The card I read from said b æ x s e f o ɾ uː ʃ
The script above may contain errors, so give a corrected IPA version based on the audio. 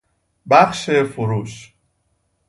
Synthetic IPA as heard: b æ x ʃ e f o ɾ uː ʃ